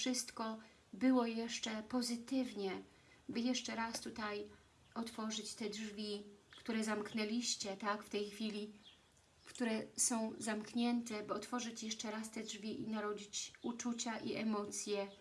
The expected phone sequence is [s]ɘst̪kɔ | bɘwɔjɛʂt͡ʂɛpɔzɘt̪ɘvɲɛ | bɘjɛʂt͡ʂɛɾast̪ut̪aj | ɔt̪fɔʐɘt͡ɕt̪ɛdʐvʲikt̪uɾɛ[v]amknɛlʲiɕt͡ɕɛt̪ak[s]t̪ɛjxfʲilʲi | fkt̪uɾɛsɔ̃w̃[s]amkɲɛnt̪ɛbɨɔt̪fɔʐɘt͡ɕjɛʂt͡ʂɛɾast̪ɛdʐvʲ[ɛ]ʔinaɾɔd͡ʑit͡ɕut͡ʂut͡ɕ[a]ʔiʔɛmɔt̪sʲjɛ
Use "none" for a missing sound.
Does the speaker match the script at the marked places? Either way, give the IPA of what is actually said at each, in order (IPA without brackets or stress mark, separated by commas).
ʂ, z, f, z, i, a